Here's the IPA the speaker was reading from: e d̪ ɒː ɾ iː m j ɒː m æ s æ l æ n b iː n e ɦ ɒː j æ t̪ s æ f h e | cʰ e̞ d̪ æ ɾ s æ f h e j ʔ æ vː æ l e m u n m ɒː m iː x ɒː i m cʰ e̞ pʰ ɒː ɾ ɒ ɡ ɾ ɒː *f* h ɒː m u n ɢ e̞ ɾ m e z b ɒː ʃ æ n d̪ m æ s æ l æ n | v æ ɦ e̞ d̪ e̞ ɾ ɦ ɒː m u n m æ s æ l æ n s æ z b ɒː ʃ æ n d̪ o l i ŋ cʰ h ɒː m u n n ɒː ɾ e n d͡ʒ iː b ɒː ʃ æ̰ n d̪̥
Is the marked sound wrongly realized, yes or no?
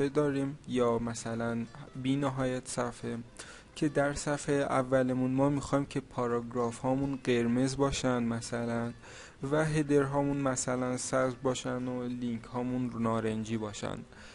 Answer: no